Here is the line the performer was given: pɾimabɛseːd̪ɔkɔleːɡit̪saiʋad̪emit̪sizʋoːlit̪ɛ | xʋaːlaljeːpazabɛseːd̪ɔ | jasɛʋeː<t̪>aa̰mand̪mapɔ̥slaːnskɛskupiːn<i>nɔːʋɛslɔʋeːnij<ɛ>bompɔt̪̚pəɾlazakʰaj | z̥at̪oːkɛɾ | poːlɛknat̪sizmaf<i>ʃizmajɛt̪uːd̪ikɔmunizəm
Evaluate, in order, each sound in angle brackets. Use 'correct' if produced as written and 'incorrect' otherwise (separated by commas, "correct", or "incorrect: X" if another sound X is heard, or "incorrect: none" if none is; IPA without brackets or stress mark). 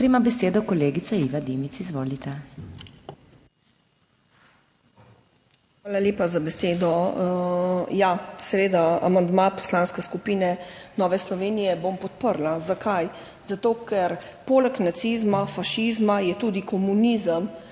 incorrect: d̪, incorrect: ɛ, correct, incorrect: a